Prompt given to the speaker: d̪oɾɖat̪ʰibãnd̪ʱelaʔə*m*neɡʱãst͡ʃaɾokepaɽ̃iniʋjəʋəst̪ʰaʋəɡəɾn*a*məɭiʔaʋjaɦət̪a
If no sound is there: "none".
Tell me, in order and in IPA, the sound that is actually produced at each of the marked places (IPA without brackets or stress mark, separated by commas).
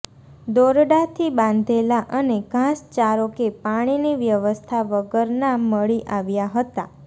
none, a